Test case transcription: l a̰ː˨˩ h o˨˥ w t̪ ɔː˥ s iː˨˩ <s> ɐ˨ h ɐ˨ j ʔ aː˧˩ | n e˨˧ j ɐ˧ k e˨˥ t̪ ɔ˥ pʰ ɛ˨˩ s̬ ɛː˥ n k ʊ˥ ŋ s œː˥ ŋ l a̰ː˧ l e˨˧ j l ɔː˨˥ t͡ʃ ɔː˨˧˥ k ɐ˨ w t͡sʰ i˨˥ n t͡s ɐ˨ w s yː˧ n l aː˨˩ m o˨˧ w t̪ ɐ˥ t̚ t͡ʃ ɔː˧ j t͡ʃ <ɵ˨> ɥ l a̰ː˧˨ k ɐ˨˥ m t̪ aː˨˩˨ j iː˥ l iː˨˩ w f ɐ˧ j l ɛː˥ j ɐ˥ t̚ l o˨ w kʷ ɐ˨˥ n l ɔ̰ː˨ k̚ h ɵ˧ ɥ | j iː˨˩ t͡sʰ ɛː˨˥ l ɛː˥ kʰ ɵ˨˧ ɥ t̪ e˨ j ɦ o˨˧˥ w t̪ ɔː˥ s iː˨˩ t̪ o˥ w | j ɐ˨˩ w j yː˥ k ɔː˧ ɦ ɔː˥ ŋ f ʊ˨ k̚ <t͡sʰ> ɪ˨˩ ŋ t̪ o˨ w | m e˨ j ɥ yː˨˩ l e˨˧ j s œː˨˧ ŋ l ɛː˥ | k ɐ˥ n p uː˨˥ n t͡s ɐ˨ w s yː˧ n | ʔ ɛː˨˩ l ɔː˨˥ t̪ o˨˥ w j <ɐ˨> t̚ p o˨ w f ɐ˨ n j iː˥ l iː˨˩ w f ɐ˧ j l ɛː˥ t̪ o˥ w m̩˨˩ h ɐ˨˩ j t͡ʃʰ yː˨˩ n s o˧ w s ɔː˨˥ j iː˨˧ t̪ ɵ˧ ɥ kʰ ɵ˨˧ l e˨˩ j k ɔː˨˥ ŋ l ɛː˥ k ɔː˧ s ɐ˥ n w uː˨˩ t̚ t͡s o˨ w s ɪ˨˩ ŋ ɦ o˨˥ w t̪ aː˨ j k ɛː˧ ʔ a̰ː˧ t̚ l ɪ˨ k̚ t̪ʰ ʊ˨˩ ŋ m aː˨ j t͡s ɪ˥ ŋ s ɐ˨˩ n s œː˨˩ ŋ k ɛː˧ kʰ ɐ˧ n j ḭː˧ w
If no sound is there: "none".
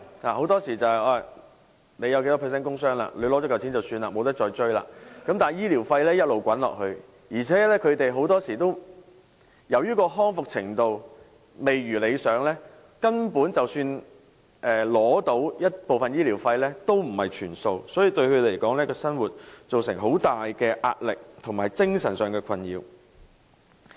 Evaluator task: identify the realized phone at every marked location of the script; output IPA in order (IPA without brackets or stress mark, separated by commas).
t͡s, ɵ˥, t͡sʰ, ɐ˥